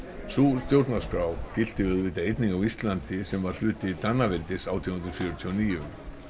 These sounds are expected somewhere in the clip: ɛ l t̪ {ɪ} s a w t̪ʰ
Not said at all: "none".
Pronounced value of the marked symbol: ɪ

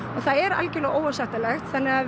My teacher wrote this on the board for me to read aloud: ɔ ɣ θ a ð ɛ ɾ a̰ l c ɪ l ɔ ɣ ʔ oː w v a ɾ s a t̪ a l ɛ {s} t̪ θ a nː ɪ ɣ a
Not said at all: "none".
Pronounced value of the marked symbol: x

